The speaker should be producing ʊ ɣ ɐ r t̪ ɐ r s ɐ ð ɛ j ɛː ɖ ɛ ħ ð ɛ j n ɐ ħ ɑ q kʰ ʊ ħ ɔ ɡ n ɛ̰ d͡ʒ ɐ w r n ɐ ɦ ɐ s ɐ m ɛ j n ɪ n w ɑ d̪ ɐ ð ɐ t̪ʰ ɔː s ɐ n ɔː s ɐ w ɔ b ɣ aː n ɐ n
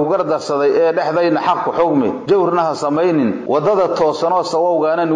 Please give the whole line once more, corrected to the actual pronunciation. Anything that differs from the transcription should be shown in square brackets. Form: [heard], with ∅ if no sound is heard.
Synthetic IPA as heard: ʊ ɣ ɐ r [d̪] ɐ r s ɐ ð ɛ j ɛː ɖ ɛ ħ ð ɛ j n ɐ ħ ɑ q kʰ ʊ ħ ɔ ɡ [m] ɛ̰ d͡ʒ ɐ w r n ɐ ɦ ɐ s ɐ m ɛ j n ɪ n w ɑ d̪ ɐ ð ɐ t̪ʰ ɔː s ɐ n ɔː s ɐ w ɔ [w] ɣ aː n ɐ n